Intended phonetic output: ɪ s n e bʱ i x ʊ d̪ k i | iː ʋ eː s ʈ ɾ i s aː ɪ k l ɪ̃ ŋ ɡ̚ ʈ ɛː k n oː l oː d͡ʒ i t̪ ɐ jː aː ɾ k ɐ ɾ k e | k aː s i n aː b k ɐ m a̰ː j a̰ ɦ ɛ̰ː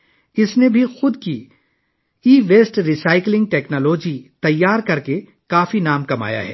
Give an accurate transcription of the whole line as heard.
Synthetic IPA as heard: ɪ s n e bʱ i x ʊ d̪ k i | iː ʋ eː s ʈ ɾ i s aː ɪ k l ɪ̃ ŋ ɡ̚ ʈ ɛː k n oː l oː d͡ʒ i t̪ ɐ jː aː ɾ k ɐ ɾ k e | k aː f i n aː m k ɐ m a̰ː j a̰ ɦ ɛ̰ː